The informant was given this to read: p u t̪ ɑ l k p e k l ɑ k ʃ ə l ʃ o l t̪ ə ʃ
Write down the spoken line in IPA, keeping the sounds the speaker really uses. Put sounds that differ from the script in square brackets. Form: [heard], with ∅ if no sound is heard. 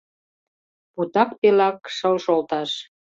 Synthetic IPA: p u t̪ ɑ [∅] k p e [∅] l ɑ k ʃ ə l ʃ o l t̪ [ɑ] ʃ